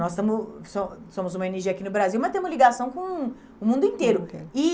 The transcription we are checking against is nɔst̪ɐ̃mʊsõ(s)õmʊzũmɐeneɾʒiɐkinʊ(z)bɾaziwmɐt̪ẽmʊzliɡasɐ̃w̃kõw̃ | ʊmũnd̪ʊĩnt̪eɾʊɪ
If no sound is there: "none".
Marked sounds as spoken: s, none

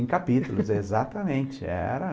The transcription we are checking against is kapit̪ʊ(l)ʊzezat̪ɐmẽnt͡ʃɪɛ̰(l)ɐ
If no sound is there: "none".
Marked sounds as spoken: l, ɾ

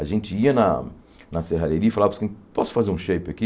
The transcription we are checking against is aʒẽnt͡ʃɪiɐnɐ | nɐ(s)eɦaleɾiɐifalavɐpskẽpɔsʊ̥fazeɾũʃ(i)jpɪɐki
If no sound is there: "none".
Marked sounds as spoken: s, e

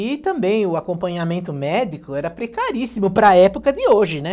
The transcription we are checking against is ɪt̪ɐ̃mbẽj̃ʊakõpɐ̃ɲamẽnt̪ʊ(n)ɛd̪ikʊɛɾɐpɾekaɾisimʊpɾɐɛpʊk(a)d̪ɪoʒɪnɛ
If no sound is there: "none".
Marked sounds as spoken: m, ɐ

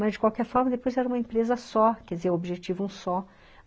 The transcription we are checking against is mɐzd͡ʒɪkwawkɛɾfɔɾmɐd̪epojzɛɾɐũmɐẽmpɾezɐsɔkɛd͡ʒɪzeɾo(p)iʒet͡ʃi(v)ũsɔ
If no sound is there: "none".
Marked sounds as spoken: b, v

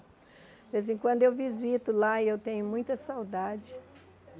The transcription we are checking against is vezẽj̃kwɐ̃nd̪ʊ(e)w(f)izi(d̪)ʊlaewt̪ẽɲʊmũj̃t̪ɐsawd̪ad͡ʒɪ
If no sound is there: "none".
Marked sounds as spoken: e, v, t̪

